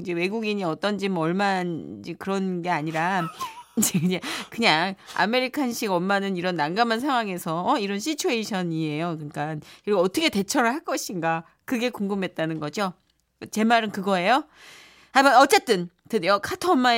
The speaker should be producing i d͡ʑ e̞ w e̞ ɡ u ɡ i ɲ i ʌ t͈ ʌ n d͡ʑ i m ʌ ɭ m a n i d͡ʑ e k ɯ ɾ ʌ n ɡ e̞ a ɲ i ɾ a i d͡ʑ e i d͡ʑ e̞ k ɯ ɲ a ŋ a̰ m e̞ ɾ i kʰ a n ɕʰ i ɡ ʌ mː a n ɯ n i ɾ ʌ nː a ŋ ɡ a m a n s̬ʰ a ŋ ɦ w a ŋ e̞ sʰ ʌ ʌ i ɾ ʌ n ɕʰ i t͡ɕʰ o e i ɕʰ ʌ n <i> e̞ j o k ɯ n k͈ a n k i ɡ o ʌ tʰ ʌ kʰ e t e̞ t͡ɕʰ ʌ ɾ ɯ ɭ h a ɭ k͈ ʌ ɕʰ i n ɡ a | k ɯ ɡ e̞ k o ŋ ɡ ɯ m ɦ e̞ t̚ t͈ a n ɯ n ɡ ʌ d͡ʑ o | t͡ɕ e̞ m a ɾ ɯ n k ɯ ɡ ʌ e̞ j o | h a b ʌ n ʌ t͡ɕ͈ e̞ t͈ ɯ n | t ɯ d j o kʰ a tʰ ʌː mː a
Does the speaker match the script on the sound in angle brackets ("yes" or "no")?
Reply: yes